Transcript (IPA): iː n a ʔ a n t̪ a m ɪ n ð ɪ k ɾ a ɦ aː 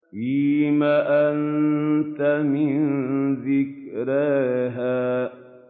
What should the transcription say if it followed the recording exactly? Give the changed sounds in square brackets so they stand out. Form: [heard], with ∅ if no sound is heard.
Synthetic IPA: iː [m] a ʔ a n t̪ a m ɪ n ð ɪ k ɾ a ɦ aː